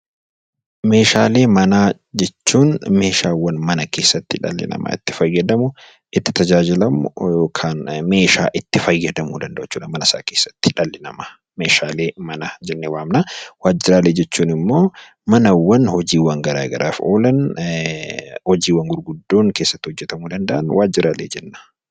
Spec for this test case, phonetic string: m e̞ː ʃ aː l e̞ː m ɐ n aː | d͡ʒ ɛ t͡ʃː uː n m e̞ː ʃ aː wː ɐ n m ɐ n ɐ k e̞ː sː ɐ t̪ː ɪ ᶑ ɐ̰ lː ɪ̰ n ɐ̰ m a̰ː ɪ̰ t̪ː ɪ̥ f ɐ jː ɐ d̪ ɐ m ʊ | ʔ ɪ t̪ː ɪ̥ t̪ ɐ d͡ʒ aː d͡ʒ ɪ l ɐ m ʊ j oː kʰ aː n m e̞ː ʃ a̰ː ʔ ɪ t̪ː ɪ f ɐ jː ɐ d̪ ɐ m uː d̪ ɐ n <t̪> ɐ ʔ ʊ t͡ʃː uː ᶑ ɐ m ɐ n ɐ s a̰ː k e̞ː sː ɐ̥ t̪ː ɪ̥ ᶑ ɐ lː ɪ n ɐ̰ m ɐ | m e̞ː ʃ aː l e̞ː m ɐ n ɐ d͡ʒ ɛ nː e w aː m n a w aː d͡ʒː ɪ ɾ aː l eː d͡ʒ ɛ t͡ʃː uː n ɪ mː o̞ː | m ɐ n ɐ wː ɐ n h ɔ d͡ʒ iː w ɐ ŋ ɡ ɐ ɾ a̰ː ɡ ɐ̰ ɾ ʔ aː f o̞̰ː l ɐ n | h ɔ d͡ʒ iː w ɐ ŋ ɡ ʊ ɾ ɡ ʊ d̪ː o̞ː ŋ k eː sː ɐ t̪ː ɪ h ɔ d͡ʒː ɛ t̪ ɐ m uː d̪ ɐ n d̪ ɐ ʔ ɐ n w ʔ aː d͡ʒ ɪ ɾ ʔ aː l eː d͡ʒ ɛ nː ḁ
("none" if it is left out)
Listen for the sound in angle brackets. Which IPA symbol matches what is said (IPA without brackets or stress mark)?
d̪